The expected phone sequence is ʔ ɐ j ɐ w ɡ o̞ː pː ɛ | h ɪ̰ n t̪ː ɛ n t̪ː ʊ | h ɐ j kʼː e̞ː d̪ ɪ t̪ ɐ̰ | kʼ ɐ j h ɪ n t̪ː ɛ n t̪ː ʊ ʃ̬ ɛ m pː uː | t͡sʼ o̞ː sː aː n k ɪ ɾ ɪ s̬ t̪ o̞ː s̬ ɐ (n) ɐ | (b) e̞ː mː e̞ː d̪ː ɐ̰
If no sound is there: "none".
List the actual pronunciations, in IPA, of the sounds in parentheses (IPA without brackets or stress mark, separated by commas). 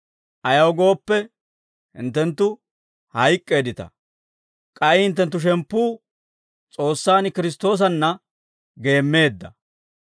nː, ɡ